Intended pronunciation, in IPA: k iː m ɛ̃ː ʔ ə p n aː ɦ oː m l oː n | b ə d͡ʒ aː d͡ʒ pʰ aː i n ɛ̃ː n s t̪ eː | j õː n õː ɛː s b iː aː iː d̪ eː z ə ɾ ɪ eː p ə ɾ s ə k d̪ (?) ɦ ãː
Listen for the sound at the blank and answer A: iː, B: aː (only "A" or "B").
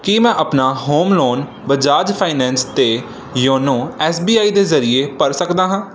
B